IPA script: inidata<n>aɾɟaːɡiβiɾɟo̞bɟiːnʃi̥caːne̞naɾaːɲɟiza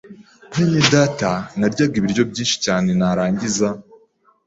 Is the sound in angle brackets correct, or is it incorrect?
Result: correct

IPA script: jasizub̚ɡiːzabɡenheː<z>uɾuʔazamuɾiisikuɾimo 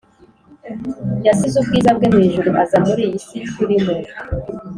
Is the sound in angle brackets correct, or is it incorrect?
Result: incorrect: ʒ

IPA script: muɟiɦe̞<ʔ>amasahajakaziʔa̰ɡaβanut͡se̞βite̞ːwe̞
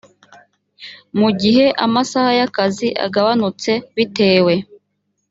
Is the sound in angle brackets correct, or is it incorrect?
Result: correct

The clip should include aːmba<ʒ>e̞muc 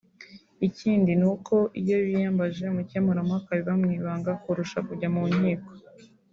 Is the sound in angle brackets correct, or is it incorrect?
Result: correct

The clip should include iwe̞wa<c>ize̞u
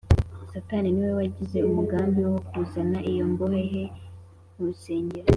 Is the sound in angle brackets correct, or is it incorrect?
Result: incorrect: ɟ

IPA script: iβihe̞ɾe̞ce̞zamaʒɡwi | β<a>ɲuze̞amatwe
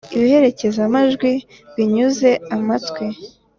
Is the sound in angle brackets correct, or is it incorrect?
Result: incorrect: i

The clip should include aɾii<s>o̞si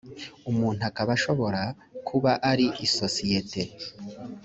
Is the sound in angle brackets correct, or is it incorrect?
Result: correct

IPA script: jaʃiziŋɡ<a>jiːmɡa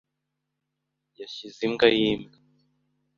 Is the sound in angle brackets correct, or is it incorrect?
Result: correct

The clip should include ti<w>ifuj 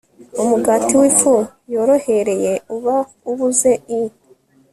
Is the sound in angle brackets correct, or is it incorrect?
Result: correct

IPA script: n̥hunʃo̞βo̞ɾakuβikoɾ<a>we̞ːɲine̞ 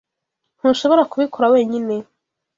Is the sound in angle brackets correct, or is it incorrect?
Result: correct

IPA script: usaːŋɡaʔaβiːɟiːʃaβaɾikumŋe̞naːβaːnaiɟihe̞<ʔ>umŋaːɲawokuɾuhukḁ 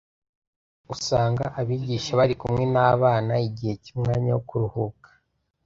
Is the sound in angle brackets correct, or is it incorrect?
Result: incorrect: c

